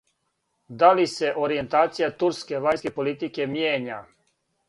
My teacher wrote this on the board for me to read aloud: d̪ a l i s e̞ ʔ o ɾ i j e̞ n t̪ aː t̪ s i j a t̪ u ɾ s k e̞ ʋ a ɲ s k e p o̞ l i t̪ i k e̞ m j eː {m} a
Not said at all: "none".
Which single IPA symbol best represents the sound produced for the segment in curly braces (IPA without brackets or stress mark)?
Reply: ɲ